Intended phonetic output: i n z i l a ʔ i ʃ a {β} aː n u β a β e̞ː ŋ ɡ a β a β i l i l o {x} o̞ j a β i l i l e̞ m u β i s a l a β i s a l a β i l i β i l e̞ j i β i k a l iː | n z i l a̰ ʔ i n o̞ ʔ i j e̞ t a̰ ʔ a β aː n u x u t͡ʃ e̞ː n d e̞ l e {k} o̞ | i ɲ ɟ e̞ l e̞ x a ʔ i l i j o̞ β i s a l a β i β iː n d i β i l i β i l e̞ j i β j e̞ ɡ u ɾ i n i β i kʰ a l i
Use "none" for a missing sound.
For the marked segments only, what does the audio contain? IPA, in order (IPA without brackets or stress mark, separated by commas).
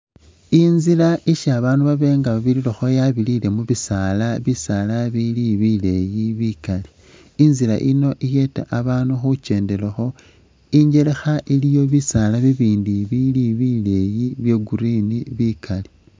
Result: β, x, x